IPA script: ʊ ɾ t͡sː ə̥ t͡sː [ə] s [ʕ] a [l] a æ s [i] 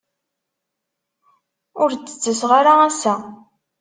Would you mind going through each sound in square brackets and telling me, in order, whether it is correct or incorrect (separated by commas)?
correct, incorrect, incorrect, incorrect